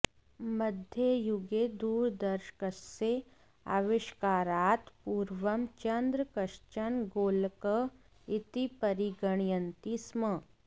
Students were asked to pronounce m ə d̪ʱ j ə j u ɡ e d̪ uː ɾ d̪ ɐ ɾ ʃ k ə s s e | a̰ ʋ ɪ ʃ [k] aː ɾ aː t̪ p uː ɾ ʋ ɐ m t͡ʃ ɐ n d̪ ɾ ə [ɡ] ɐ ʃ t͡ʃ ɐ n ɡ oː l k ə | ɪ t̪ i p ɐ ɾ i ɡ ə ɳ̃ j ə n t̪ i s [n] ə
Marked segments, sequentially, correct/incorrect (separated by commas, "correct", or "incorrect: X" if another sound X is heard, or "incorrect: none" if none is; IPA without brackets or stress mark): correct, incorrect: k, incorrect: m